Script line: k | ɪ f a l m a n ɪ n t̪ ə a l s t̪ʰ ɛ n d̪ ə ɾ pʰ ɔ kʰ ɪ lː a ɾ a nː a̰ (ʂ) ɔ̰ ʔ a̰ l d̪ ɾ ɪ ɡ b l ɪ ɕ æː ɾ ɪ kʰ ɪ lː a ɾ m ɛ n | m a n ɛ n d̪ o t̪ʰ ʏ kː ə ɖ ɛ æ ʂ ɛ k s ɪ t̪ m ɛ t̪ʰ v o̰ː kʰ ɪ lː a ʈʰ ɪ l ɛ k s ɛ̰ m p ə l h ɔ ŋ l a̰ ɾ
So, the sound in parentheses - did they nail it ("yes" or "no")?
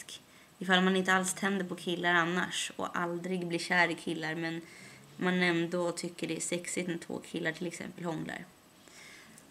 yes